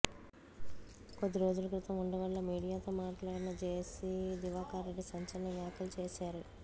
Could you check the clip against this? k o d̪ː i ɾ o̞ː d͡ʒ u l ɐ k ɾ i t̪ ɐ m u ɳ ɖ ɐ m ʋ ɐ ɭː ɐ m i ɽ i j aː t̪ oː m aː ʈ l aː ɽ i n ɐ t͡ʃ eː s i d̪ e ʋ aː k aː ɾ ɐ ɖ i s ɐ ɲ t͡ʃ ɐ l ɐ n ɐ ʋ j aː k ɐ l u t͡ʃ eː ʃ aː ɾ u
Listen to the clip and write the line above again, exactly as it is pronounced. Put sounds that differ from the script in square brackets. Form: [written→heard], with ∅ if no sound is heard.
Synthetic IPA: k o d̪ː i ɾ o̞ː d͡ʒ u l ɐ k ɾ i t̪ ɐ m u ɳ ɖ ɐ [m→∅] ʋ ɐ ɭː ɐ m [i→iː] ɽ i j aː t̪ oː m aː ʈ l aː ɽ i n ɐ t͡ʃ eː s i d̪ [e→i] ʋ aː k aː ɾ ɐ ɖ i s ɐ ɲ t͡ʃ ɐ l ɐ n ɐ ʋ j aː k ɐ l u t͡ʃ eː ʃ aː ɾ u